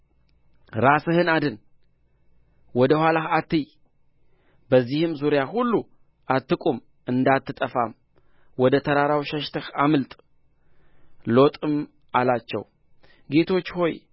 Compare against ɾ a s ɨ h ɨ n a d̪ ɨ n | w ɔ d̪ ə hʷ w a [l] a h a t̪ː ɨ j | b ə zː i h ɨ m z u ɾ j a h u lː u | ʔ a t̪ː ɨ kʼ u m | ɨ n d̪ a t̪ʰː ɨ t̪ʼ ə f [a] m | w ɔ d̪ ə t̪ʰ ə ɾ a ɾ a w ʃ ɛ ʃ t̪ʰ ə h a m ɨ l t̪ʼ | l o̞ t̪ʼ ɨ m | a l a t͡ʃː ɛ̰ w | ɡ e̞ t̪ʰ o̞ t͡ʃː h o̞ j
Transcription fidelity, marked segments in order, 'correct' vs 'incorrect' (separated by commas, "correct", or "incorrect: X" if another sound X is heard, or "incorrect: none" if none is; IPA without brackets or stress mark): correct, correct